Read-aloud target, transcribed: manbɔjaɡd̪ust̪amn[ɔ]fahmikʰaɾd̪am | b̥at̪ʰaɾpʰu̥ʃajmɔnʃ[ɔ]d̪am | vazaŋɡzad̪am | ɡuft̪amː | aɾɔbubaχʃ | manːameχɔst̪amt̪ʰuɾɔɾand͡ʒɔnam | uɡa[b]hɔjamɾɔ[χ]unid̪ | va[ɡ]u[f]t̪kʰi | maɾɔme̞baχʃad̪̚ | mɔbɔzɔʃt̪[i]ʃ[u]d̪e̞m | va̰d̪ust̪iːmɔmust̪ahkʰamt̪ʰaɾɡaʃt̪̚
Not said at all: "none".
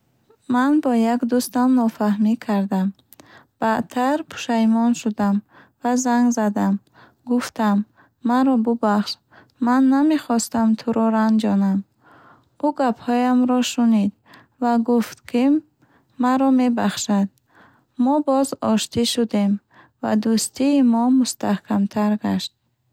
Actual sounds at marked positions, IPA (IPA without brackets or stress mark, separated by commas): ɔ, u, p, ʃ, ɡ, f, i, u